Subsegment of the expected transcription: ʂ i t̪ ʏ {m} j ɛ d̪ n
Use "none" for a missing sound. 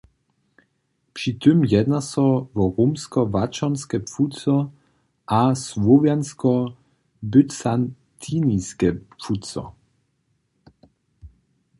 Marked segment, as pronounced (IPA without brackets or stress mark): m